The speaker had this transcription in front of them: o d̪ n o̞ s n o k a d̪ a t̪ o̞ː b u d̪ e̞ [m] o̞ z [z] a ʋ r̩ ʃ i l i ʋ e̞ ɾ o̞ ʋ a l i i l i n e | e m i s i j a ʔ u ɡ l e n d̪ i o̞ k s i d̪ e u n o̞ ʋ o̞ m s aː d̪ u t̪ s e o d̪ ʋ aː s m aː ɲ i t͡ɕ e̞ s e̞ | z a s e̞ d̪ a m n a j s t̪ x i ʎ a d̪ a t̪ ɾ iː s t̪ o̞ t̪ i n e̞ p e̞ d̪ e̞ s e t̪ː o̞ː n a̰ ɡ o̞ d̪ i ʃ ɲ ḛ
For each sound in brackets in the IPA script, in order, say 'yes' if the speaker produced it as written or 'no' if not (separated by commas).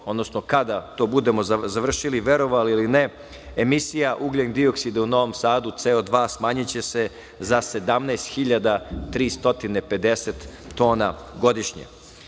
yes, yes